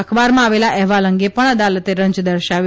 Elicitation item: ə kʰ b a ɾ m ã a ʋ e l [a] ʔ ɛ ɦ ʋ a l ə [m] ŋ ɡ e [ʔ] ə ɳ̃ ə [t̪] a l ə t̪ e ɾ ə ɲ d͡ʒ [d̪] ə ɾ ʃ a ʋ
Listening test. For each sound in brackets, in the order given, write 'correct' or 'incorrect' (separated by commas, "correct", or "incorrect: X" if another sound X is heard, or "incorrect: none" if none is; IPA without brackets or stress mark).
correct, incorrect: none, incorrect: p, incorrect: d̪, correct